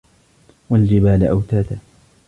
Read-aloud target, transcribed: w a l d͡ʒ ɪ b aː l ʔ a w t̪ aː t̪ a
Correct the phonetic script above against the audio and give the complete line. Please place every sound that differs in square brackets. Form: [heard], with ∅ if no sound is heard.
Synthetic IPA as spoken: w a l d͡ʒ ɪ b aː l ʔ a w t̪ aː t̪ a